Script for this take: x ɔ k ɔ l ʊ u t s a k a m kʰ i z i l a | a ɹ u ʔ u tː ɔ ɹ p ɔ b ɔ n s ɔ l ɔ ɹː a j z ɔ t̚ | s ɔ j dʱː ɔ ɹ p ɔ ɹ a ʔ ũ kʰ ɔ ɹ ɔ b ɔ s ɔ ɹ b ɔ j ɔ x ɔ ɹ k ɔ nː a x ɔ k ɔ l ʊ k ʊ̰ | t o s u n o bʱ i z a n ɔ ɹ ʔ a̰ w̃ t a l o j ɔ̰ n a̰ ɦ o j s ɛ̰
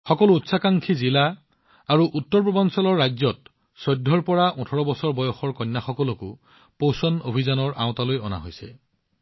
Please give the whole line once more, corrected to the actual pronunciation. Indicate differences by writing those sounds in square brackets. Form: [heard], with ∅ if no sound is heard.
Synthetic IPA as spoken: x ɔ k ɔ l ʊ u t s a k a [ŋ] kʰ i z i l a | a ɹ u ʔ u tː ɔ ɹ p ɔ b ɔ n s ɔ l ɔ ɹː a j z ɔ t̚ | s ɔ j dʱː ɔ ɹ p ɔ ɹ a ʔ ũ [tʰ] ɔ ɹ ɔ b ɔ s ɔ ɹ b ɔ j ɔ x ɔ ɹ k ɔ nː a x ɔ k ɔ l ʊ k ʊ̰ | [p] o s [ɔ] n o bʱ i z a n ɔ ɹ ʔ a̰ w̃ t a l o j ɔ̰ n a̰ ɦ o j s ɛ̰

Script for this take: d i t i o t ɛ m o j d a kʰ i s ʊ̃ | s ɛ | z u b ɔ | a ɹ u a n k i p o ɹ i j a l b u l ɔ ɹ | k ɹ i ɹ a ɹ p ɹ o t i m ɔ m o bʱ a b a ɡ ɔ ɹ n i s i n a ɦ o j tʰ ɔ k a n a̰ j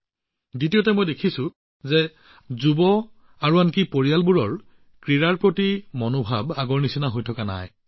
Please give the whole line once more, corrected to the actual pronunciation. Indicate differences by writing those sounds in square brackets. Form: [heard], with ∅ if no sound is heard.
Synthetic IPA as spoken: d i t i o t ɛ m o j d [e] kʰ i s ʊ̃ | [z] ɛ | z u b ɔ | a ɹ u a n k i p o ɹ i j a l b u [ɹ] ɔ ɹ | k ɹ i ɹ a ɹ p ɹ o t i m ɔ [n] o bʱ a b a ɡ ɔ ɹ n i s i n a ɦ o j tʰ ɔ k a n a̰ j

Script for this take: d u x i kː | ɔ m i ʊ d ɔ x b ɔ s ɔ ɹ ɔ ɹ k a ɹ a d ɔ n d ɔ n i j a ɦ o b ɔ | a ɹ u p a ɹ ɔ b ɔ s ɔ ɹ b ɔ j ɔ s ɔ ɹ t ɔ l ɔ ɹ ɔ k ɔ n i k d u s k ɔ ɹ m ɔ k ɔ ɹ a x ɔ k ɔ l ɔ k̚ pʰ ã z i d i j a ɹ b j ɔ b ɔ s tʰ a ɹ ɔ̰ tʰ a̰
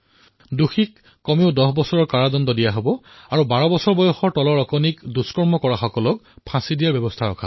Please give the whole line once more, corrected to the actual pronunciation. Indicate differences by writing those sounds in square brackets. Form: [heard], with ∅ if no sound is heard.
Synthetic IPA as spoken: d u x i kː | ɔ m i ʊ d ɔ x b ɔ s ɔ ɹ ɔ ɹ k a ɹ a d ɔ n d ɔ [d] i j a ɦ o b ɔ | a ɹ u [b] a ɹ ɔ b ɔ s ɔ ɹ b ɔ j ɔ [x] ɔ ɹ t ɔ l ɔ ɹ ɔ k ɔ n i k d u s k ɔ ɹ m ɔ k ɔ ɹ a x ɔ k ɔ l ɔ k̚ pʰ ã [s] i d i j a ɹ b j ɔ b ɔ s tʰ a ɹ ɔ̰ [kʰ] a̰

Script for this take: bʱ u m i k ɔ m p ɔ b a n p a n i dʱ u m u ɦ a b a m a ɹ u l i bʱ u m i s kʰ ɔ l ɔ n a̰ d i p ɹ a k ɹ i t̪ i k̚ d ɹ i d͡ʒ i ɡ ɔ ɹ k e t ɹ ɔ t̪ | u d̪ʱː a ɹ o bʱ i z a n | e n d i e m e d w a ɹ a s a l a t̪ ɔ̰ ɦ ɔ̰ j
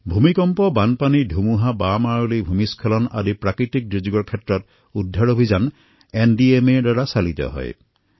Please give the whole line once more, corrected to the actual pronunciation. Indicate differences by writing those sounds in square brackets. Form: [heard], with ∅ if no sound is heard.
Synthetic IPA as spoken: bʱ u m i k ɔ m p ɔ b a n p a n i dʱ u m u ɦ a b a m a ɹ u l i bʱ u m i s kʰ ɔ l ɔ n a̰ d i p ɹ a k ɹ i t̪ i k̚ d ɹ i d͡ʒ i ɡ ɔ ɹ [kʰ] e t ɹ ɔ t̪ | u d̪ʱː a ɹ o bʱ i z a n | e n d i e m e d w a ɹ a s a l [i] t̪ ɔ̰ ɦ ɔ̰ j

